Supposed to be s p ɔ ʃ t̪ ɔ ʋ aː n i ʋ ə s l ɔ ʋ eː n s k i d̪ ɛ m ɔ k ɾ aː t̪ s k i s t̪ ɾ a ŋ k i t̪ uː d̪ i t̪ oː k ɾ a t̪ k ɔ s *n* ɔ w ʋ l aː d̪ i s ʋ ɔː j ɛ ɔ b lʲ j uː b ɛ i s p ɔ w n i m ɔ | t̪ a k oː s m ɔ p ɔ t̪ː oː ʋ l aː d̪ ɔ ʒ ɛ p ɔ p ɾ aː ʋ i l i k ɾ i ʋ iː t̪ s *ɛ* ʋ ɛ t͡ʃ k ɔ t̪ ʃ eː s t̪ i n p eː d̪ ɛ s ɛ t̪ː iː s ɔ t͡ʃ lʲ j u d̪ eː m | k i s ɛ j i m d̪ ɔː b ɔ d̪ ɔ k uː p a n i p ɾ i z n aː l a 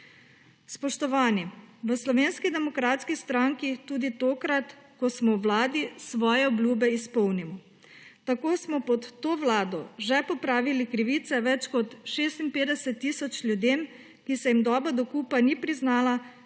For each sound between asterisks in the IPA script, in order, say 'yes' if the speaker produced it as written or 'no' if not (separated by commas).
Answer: no, yes